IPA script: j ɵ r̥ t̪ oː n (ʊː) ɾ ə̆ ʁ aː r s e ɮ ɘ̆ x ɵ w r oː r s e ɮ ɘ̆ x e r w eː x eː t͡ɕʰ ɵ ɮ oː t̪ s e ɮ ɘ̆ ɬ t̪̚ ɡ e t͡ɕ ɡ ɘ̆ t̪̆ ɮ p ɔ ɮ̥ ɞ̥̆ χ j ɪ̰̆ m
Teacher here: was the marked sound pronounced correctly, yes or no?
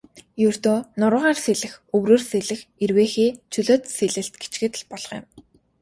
no